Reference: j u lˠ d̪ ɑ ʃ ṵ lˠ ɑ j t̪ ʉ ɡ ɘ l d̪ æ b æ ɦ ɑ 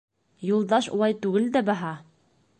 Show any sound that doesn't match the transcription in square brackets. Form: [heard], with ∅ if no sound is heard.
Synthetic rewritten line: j u lˠ d̪ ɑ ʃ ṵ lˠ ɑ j t̪ ʉ ɡ ɘ l d̪ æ b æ ɦ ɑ